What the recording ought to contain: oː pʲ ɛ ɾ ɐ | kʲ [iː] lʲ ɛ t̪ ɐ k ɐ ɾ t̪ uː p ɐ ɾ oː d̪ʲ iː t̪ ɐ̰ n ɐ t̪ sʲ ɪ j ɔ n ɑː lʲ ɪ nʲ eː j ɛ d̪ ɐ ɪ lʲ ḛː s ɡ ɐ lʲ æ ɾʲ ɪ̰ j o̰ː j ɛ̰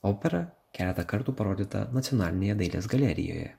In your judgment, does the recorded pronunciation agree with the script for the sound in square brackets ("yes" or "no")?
no